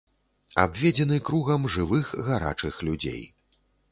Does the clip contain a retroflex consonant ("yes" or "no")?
yes